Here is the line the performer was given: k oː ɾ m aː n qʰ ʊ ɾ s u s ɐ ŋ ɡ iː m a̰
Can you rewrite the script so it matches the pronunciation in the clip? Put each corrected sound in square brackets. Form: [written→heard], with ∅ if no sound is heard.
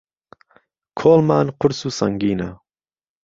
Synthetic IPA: [k→kʰ] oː [ɾ→l] m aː n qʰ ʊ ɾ s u s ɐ ŋ ɡ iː [m→n] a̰